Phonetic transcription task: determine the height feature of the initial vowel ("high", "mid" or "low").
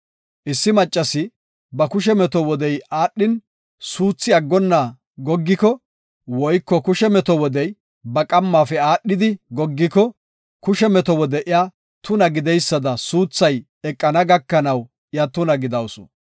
high